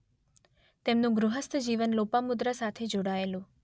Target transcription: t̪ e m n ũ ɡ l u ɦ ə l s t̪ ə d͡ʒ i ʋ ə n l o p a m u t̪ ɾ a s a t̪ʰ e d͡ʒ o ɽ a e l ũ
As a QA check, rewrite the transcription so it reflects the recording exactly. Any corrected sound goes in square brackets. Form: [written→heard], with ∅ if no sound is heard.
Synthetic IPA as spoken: t̪ e m n ũ ɡ [l→ɾ] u ɦ ə [l→∅] s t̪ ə d͡ʒ i ʋ ə n l o p a m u [t̪→d̪] ɾ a s a t̪ʰ e d͡ʒ o ɽ a e l ũ